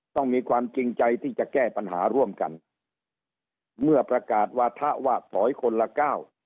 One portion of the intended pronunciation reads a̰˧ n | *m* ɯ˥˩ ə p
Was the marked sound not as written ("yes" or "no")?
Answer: no